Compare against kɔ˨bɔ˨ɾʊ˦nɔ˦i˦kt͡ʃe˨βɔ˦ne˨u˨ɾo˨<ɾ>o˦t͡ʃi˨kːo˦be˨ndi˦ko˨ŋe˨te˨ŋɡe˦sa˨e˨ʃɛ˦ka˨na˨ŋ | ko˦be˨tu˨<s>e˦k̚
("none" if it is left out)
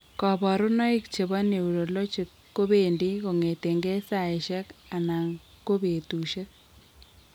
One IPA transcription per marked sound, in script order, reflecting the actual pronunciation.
l, ʃ

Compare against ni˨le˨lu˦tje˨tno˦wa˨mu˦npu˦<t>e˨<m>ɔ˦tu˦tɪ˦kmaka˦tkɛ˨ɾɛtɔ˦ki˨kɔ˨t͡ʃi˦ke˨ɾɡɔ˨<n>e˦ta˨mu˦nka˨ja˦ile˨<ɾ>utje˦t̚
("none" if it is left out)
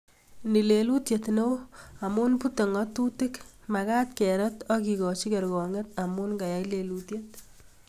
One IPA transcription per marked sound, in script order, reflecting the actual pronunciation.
t, ŋ, ŋ, l

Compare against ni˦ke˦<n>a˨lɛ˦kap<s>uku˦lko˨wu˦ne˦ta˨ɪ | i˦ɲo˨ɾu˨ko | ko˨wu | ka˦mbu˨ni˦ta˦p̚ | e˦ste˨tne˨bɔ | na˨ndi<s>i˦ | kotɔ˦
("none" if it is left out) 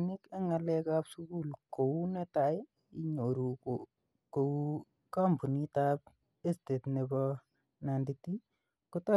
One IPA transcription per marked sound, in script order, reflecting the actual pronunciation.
ŋ, s, t

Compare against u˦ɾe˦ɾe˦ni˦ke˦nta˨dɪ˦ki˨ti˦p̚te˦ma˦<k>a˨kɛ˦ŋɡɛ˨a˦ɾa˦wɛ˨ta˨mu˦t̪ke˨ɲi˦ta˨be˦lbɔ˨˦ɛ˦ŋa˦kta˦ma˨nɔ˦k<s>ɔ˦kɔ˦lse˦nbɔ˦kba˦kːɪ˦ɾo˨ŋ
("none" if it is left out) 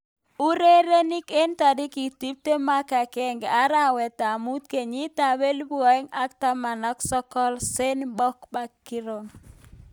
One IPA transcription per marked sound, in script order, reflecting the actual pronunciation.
k, s

